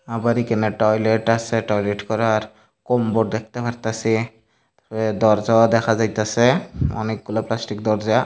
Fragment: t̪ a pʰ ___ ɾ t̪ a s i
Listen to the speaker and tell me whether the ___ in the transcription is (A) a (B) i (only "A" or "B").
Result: A